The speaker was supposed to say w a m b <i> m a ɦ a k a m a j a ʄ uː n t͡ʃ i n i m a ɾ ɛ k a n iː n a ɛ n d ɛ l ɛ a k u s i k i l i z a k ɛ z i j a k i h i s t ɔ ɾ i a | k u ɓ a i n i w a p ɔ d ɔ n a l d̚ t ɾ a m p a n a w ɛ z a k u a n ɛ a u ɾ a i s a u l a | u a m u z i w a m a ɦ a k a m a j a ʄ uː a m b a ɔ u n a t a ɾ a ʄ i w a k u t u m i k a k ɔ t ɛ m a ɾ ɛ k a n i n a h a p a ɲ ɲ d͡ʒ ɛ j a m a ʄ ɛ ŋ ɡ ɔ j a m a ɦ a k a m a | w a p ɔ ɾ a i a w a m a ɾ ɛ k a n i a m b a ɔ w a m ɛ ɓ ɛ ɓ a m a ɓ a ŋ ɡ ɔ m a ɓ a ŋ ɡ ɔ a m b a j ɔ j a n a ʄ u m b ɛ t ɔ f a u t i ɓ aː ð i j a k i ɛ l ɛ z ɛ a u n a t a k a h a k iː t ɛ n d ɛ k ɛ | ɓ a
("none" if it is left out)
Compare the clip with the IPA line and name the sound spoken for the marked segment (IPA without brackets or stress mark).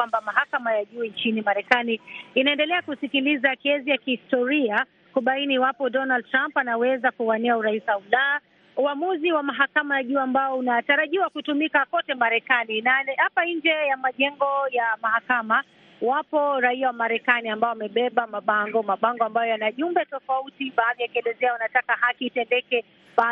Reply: a